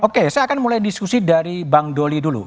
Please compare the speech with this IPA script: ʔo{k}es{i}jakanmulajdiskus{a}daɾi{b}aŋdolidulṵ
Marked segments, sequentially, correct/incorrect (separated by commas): correct, incorrect, incorrect, correct